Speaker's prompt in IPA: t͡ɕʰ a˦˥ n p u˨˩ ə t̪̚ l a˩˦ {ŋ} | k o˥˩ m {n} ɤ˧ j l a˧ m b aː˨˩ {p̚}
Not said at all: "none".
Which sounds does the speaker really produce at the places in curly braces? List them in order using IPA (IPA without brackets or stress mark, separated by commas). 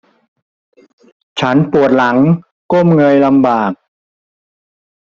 ŋ, ŋ, k̚